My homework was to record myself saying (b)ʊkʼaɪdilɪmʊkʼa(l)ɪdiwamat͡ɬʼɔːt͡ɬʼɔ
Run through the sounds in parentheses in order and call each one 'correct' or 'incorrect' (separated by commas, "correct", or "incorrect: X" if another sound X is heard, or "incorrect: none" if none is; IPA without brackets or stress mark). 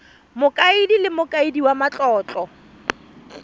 incorrect: m, incorrect: none